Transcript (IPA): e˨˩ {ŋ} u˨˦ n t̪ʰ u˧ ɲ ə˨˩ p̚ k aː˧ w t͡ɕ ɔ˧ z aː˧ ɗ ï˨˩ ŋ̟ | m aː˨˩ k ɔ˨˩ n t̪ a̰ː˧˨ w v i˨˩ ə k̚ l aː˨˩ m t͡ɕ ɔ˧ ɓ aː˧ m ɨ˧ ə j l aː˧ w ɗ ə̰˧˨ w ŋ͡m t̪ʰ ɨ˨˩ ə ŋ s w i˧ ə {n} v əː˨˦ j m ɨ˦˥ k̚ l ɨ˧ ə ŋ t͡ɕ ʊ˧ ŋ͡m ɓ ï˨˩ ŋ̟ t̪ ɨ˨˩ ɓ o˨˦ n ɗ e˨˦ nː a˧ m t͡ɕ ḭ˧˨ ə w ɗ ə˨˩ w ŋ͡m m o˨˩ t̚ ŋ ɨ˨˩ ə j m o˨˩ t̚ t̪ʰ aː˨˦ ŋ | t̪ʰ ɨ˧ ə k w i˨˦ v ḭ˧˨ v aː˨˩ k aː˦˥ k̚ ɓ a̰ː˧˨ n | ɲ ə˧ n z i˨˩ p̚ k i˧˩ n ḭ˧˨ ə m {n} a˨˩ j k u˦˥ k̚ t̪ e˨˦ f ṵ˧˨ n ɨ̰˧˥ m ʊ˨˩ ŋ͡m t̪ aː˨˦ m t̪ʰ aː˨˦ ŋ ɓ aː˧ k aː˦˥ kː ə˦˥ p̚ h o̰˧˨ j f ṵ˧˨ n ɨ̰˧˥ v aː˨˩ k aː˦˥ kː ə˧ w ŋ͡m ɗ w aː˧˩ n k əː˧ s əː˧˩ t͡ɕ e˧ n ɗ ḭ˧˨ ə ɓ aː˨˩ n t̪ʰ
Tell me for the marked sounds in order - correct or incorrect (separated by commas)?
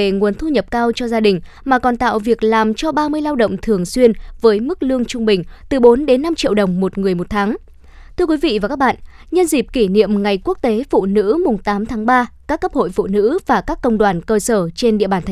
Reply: correct, correct, incorrect